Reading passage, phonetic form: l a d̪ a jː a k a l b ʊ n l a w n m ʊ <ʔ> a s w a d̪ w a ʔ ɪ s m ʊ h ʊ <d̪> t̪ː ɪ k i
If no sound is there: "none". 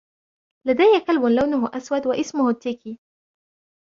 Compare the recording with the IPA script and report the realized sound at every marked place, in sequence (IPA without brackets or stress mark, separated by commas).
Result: ʔ, none